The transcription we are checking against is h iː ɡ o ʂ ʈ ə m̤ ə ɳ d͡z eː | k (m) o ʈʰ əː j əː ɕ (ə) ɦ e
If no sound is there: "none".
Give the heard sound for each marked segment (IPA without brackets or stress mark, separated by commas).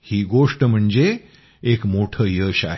m, a